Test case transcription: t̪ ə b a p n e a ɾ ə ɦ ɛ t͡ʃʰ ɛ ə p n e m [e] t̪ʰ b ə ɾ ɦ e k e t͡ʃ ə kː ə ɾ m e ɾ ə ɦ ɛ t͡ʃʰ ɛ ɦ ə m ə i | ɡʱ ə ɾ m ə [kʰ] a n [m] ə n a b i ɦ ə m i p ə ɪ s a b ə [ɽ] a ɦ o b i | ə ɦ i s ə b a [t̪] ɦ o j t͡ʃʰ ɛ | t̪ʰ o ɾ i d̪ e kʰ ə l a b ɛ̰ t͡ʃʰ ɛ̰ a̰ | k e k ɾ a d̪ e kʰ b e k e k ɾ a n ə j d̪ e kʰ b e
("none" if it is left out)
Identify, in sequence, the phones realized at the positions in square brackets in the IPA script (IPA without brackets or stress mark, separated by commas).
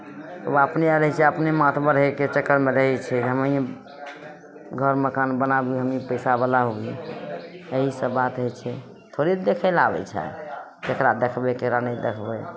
a, k, b, l, t̪